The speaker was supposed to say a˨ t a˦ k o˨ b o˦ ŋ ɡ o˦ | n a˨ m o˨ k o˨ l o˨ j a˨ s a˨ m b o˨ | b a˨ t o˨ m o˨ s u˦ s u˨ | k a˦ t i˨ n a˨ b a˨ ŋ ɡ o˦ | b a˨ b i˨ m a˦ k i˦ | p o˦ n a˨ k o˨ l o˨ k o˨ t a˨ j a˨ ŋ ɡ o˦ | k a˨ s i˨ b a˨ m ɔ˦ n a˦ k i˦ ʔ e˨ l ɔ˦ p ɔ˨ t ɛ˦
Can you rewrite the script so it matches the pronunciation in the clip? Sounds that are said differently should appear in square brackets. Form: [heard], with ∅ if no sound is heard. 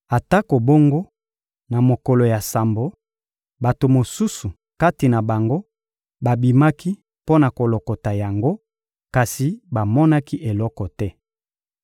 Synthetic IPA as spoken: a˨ t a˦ k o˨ b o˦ ŋ ɡ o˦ | n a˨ m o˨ k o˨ l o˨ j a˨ s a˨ m b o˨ | b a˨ t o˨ m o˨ s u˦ s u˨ | k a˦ t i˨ n a˨ b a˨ ŋ ɡ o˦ | b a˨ b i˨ m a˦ k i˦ | p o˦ n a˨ k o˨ l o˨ k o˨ t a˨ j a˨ ŋ ɡ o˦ | k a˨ s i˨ b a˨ m ɔ˦ n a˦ k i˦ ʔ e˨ l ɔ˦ [k] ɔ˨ t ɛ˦